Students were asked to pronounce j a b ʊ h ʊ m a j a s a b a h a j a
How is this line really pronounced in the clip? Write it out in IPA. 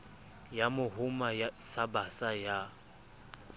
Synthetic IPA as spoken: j a m ʊ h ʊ m a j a s a b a s a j a